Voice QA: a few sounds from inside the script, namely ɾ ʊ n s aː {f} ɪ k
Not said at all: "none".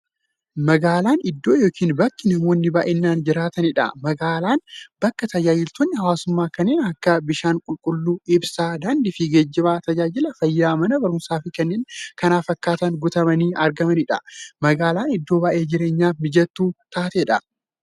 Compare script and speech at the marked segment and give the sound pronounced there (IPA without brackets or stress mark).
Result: f